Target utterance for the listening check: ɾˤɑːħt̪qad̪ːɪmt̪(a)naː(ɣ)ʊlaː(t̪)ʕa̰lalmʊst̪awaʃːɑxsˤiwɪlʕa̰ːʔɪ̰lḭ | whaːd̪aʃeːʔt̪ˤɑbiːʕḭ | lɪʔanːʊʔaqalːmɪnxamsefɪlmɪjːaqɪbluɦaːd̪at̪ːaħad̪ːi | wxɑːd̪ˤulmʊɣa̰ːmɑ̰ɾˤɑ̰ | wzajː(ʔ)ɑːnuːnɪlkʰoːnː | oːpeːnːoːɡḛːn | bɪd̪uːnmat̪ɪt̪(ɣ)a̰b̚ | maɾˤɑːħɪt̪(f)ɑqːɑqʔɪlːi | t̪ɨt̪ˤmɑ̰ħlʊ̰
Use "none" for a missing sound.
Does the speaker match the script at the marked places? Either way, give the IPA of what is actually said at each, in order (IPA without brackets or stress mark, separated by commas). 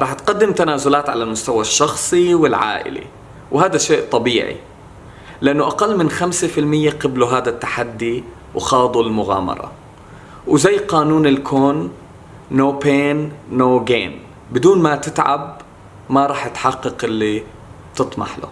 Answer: a, z, t̪, q, ʕ, ħ